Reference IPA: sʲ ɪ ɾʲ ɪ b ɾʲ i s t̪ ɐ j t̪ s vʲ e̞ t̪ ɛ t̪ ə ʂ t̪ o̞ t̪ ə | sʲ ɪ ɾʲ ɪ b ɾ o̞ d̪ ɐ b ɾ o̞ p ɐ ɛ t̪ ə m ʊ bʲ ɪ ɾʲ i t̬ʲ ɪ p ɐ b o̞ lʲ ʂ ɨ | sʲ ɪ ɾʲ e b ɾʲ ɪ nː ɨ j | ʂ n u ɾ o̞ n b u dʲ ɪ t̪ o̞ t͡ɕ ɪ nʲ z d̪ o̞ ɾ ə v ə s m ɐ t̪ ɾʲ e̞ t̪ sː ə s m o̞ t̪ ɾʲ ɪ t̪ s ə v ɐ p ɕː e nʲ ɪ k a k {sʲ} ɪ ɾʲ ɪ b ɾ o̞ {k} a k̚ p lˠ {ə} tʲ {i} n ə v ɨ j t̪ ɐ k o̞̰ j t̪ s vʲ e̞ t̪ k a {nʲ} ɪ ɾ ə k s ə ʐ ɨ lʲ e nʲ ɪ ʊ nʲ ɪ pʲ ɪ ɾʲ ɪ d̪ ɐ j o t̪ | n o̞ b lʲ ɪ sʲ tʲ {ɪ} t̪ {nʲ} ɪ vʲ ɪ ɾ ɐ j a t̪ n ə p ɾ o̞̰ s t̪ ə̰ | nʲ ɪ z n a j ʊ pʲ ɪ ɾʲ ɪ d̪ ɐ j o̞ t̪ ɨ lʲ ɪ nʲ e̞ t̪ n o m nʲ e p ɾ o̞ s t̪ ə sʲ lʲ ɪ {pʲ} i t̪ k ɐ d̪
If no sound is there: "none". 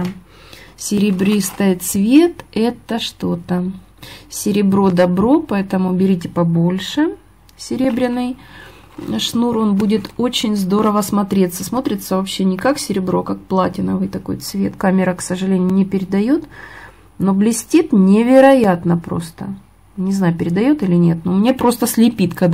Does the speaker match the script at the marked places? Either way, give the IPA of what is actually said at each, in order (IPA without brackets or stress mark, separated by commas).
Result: sʲ, k, a, ɪ, mʲ, i, nʲ, pʲ